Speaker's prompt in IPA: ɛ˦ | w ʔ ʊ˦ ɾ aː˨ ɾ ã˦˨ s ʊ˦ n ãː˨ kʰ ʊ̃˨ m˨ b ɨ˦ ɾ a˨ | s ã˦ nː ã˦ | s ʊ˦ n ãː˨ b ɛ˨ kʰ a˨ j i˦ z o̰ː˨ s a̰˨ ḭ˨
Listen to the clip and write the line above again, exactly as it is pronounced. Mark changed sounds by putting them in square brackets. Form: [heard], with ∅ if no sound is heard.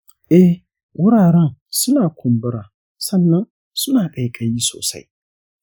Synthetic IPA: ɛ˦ | w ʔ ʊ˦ ɾ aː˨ ɾ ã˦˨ s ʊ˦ n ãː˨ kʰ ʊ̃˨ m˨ b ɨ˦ ɾ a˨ | s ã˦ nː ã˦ | s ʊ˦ n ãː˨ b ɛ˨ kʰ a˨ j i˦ [s] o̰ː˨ s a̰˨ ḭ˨